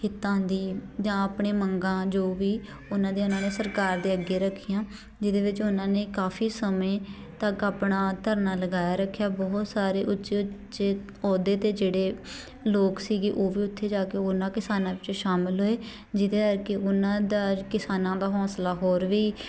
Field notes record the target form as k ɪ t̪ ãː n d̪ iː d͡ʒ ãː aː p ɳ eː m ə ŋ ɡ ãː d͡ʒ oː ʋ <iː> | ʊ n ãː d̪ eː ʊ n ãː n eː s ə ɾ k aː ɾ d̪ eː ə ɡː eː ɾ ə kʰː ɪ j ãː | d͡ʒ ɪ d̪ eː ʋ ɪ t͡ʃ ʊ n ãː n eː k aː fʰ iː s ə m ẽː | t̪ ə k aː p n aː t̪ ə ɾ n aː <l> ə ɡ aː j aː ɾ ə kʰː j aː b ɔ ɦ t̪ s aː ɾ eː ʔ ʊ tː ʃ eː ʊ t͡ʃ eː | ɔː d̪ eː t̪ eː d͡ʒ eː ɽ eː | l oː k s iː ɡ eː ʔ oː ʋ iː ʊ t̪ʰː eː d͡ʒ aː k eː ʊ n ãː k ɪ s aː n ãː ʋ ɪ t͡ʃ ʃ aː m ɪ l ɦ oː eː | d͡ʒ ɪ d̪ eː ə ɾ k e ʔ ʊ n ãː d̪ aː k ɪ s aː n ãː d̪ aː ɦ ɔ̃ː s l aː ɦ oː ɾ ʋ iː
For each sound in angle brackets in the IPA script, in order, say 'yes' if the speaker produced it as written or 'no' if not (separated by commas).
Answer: yes, yes